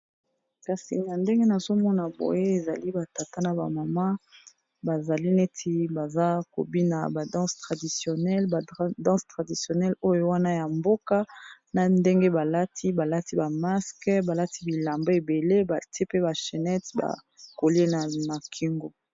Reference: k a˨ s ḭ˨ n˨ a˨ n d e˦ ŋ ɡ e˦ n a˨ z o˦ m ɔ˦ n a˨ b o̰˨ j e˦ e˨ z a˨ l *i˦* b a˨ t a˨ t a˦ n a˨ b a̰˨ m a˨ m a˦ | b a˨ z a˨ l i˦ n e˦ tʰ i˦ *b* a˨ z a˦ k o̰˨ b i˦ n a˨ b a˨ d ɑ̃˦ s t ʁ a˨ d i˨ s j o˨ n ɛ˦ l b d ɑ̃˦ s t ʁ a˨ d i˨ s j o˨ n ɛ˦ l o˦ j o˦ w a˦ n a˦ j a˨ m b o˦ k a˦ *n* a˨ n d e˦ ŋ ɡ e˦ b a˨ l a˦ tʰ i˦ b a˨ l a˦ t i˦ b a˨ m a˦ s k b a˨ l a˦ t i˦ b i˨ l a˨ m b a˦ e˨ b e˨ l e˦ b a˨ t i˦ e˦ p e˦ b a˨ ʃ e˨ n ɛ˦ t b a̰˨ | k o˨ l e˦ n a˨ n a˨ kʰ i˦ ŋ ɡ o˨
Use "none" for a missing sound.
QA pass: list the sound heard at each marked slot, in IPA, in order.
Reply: i˦, b, n

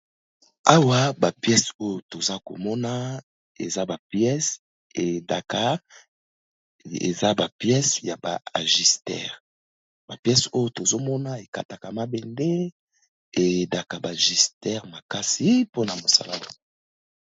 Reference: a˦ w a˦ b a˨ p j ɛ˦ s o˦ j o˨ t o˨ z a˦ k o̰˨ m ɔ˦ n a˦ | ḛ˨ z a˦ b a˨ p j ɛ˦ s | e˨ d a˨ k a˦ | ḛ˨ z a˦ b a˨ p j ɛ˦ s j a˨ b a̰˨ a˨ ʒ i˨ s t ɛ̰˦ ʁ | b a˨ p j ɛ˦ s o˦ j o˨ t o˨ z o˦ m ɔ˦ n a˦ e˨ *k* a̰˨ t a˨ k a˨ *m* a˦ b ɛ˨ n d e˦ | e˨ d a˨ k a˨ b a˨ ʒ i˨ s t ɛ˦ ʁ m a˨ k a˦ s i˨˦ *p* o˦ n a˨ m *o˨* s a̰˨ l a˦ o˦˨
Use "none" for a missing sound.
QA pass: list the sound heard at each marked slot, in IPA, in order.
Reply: k, m, p, o˨

